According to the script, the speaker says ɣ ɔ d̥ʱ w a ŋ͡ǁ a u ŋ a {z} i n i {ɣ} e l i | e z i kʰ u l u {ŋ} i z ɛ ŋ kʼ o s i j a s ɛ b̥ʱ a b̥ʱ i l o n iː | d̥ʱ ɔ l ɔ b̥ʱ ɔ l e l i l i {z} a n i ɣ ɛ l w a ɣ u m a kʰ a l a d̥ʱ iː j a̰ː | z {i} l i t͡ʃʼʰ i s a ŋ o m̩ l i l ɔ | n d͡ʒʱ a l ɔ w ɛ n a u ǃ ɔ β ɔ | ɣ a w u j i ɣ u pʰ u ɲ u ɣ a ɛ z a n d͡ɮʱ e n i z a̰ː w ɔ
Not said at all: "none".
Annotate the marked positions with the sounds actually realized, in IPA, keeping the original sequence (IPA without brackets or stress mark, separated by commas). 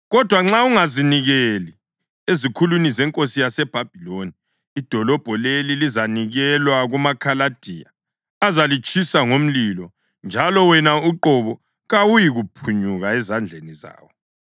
z, ɣ, n, z, a